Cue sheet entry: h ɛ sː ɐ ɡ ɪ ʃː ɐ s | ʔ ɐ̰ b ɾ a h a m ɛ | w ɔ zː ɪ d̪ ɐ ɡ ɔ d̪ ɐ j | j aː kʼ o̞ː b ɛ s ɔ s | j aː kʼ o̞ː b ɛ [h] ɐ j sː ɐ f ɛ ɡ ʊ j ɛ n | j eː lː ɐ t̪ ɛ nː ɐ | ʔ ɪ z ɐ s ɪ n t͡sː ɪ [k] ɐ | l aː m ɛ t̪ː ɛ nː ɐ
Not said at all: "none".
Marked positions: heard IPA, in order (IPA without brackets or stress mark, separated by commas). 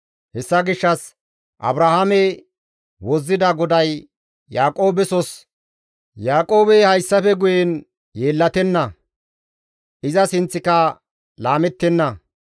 h, k